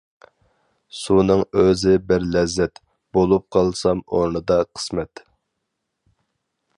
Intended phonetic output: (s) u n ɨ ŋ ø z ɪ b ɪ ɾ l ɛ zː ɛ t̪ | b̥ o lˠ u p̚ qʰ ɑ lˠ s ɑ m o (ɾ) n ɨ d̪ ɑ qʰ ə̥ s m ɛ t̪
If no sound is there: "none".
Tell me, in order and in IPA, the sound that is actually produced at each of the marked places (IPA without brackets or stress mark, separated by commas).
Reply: s, ɾ